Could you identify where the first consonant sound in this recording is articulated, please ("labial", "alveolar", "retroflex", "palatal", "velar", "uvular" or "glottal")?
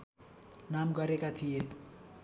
alveolar